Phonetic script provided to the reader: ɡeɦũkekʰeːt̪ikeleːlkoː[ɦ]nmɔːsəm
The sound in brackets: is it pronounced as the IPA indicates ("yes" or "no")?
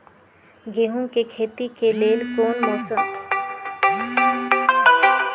no